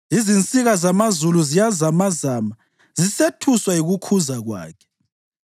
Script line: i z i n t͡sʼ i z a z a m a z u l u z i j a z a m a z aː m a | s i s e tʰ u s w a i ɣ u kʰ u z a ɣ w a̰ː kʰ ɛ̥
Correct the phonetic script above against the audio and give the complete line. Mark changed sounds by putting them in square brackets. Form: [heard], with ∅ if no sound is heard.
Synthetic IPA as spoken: i z i n t͡sʼ i [ɣ] a z a m a z u l u z i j a z a m a z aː m a | [z] i s e tʰ u s w a i ɣ u kʰ u z a ɣ w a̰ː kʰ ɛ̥